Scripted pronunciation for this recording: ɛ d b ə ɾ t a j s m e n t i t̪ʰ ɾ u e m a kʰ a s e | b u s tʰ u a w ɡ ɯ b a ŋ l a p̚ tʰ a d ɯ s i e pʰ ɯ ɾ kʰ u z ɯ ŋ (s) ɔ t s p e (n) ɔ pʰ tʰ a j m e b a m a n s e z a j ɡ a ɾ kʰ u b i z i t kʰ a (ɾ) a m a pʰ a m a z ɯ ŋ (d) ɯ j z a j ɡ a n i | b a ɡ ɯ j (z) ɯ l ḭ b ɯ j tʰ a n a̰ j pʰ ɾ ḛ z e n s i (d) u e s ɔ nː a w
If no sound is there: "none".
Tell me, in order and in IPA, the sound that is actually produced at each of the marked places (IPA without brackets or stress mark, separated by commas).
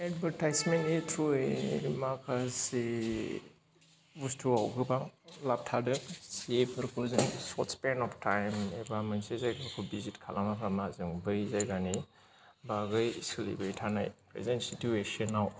s, n, l, b, s, t